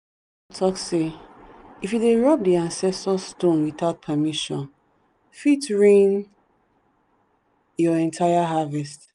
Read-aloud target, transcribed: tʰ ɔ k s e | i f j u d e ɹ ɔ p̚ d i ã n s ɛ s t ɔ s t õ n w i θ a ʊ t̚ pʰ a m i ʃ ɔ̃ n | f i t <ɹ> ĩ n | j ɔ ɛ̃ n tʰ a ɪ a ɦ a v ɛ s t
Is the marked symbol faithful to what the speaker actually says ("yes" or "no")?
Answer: yes